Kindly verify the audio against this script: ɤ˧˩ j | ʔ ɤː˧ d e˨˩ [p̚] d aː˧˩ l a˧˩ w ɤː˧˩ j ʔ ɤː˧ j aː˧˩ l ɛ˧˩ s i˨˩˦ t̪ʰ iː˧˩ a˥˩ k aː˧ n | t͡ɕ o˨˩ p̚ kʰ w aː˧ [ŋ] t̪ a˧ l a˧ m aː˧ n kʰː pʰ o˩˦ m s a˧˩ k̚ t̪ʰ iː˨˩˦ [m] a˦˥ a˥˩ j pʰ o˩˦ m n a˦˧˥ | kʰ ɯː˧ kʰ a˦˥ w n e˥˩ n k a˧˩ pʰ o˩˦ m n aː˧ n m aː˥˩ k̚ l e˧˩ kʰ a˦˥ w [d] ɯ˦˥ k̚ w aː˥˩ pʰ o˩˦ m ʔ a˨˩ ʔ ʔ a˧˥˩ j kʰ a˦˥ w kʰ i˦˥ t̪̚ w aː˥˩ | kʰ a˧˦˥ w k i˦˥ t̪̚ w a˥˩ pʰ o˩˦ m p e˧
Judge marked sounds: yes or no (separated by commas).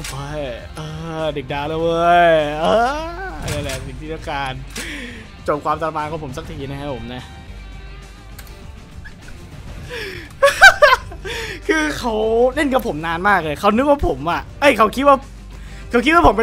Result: no, no, no, no